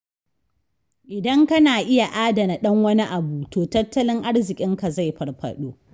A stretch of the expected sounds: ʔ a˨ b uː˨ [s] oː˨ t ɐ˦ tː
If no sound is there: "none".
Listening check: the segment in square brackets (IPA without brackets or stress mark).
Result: t